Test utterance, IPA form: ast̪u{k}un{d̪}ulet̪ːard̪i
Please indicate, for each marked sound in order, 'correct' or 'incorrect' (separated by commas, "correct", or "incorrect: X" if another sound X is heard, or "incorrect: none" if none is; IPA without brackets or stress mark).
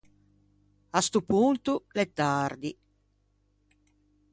incorrect: p, incorrect: t̪